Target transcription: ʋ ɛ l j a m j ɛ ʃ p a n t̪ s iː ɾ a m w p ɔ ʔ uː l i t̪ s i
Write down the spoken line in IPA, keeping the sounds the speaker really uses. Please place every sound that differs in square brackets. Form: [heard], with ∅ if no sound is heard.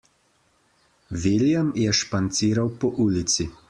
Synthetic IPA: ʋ [i] l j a m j ɛ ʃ p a n t̪ s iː ɾ a [∅] w p ɔ ʔ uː l i t̪ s i